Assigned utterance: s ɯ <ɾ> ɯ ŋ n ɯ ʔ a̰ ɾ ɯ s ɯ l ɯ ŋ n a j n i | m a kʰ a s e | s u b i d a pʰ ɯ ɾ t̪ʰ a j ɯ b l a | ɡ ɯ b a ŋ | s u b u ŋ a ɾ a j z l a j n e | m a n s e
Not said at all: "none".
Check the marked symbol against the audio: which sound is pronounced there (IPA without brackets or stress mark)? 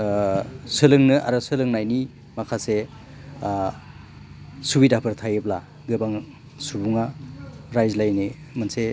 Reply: l